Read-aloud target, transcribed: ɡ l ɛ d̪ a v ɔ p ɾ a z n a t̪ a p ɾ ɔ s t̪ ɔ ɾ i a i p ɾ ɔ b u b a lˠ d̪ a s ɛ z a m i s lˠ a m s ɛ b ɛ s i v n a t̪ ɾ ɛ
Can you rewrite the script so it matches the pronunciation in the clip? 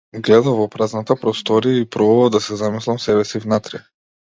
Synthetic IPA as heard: ɡ l ɛ d̪ a v ɔ p ɾ a z n a t̪ a p ɾ ɔ s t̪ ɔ ɾ i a i p ɾ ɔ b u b a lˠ d̪ a s ɛ z a m i s lˠ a m s ɛ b ɛ s i v n a t̪ ɾ ɛ